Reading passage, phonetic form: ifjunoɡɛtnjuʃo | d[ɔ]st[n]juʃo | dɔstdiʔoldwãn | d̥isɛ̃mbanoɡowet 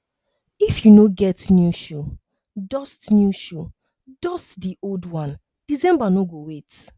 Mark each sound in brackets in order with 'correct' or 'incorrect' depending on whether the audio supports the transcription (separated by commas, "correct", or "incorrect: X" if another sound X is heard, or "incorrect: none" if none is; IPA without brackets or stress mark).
correct, correct